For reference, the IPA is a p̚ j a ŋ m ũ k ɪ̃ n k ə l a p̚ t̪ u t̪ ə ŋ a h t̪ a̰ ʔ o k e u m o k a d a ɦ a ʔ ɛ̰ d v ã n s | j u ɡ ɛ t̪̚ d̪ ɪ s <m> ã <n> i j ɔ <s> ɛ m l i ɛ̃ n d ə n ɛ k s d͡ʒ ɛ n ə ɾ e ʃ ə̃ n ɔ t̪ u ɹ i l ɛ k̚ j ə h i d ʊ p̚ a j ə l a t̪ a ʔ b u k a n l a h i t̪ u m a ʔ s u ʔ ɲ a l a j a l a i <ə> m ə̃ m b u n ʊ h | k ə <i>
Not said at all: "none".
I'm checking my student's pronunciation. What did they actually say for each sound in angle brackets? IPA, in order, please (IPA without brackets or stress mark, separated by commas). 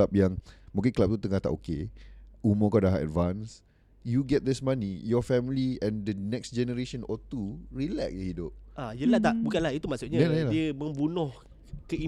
m, n, f, ə, i